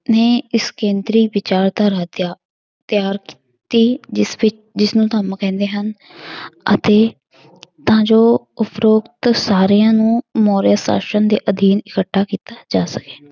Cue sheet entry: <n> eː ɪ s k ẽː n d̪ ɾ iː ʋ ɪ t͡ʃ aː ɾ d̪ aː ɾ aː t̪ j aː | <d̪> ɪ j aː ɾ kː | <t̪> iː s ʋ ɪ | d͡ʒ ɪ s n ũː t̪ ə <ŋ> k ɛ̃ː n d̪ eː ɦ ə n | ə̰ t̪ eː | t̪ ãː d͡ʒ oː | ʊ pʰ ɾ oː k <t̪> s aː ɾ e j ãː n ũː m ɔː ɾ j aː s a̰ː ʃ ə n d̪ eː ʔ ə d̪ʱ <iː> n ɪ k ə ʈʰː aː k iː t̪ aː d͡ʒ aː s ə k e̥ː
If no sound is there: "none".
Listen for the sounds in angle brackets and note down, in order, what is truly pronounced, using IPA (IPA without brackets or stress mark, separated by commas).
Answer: n, t̪, t̪, m, t̪, iː